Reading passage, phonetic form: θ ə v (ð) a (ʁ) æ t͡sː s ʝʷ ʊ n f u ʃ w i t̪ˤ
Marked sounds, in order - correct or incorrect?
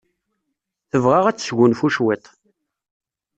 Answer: incorrect: ʁ, correct

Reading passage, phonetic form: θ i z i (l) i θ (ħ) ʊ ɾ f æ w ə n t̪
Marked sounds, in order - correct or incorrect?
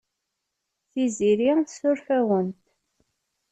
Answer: incorrect: ɾ, incorrect: s

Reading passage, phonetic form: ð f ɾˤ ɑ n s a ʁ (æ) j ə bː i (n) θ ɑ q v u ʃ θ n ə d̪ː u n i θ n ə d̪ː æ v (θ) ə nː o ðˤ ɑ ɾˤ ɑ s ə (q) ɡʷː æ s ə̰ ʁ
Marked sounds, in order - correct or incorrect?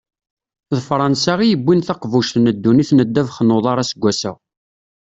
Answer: incorrect: i, correct, incorrect: χ, incorrect: none

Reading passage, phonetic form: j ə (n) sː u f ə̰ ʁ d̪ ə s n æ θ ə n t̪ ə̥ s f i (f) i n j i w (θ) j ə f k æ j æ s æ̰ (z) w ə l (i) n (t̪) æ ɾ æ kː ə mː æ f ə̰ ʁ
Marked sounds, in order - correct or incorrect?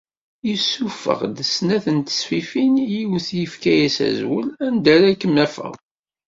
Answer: incorrect: none, correct, correct, correct, incorrect: æ, incorrect: d̪

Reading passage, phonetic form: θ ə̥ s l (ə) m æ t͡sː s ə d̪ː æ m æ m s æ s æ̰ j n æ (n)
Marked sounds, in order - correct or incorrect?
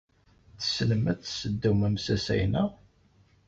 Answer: correct, incorrect: none

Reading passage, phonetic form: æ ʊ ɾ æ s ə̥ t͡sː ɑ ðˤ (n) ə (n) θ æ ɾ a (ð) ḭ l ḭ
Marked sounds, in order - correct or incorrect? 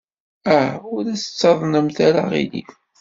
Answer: correct, incorrect: m, incorrect: ʁ

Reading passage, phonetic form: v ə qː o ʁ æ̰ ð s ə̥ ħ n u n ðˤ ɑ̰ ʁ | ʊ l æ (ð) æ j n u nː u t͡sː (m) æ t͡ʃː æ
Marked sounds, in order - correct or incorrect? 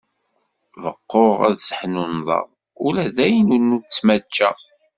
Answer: correct, correct

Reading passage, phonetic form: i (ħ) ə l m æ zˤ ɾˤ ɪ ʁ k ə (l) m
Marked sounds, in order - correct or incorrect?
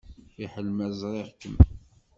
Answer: correct, incorrect: none

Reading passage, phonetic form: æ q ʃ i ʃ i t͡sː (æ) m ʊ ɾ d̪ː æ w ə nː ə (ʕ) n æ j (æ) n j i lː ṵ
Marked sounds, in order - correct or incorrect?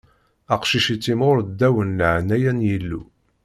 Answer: incorrect: i, correct, correct

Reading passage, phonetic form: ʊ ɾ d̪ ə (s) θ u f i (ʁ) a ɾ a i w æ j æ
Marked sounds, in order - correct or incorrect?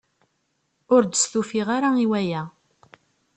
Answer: correct, correct

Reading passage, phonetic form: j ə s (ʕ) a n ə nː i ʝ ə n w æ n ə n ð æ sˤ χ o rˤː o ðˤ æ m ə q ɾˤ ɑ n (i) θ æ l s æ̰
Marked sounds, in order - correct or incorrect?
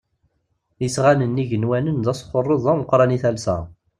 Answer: incorrect: ʁ, correct

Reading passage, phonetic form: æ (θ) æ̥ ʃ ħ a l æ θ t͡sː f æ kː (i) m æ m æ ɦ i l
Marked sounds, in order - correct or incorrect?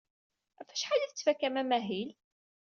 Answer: incorrect: f, incorrect: æ

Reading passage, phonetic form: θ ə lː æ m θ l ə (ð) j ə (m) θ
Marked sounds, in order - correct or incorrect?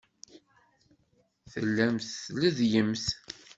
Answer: correct, correct

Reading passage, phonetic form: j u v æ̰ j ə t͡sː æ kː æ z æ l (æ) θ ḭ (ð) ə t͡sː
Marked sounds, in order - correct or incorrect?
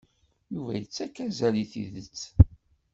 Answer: incorrect: i, correct

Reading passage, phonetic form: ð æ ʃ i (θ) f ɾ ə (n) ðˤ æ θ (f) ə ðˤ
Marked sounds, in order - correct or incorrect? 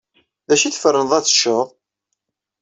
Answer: correct, correct, incorrect: ʃ

